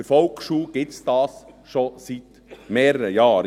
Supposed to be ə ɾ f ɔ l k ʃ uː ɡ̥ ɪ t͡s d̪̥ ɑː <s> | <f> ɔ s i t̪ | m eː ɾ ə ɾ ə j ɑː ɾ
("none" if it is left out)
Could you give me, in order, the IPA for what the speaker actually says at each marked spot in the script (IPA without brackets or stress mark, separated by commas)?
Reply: s, ʃ